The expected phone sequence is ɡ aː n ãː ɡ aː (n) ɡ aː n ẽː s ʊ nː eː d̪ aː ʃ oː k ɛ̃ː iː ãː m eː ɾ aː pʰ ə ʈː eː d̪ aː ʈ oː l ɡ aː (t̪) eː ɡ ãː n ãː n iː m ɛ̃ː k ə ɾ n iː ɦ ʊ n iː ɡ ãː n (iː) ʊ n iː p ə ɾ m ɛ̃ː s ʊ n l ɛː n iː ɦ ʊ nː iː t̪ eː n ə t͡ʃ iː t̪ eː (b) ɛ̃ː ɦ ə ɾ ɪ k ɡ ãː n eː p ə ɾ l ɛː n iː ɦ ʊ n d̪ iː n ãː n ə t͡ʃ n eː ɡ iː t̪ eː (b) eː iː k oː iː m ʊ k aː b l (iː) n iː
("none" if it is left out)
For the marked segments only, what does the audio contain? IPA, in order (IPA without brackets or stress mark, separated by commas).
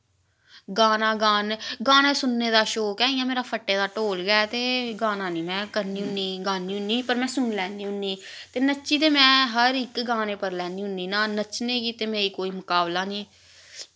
n, t̪, iː, m, m, aː